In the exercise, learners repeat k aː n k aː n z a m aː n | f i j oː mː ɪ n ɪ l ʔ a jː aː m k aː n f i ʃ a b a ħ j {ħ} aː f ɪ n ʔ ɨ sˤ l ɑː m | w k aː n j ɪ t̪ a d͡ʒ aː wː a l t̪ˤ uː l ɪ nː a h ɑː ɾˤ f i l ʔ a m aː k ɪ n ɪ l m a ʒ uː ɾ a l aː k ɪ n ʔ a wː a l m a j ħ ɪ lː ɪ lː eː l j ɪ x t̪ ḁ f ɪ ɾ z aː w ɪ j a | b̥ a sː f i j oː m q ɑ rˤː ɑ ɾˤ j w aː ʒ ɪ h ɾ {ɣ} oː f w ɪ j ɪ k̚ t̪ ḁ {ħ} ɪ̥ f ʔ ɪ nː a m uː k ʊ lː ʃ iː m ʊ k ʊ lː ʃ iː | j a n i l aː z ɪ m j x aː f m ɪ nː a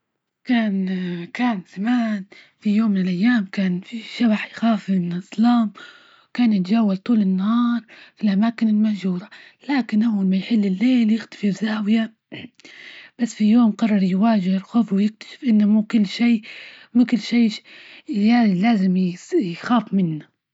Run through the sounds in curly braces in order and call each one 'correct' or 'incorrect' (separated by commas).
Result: incorrect, incorrect, incorrect